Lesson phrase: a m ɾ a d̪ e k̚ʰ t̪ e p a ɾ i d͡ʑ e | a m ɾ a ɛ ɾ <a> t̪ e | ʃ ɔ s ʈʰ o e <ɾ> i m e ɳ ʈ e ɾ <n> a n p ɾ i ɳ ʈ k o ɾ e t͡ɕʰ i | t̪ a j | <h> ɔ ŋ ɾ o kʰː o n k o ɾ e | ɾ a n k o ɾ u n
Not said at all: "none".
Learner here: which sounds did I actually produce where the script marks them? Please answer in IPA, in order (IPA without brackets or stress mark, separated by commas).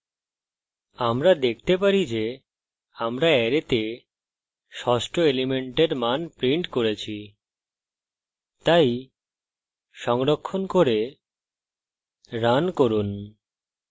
e, l, m, ʃ